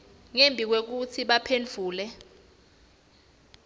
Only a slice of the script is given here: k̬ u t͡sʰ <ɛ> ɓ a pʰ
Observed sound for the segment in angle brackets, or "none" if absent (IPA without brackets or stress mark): i